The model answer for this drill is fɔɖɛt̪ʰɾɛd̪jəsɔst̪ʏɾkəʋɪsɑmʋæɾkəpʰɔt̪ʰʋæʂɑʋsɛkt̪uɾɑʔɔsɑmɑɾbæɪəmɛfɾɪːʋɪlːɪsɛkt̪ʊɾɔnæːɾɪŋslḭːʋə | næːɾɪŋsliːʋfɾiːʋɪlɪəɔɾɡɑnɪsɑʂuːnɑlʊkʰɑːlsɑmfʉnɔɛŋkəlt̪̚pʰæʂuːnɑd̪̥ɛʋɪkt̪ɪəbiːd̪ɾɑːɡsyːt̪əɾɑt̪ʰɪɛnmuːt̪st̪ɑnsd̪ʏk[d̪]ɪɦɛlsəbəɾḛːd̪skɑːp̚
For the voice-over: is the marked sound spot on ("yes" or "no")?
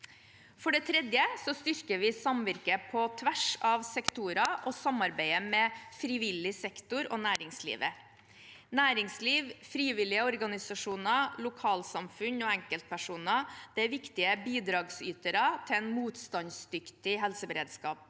no